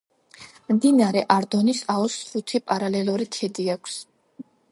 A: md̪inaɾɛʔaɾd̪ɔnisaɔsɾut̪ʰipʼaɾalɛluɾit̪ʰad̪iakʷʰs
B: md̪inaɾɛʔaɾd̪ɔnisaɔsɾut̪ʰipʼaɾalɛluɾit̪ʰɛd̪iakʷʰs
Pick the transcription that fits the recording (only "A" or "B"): B